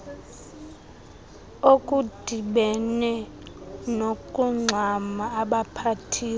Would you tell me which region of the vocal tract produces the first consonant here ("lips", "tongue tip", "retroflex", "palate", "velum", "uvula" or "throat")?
velum